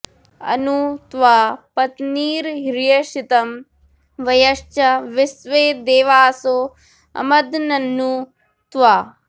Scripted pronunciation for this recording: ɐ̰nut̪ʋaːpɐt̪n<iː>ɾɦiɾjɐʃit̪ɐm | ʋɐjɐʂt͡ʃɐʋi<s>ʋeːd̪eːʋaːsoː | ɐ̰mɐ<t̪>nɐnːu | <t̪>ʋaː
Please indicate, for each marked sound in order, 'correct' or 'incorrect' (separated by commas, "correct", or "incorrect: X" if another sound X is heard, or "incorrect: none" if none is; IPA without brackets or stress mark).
correct, correct, incorrect: d̪, correct